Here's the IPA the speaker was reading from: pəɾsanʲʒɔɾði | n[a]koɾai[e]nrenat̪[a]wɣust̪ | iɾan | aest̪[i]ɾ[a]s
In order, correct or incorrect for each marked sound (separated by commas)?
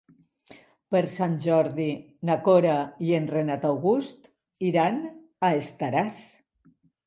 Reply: correct, correct, correct, incorrect, correct